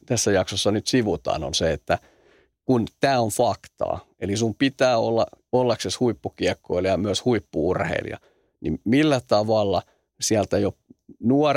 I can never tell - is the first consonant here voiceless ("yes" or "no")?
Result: yes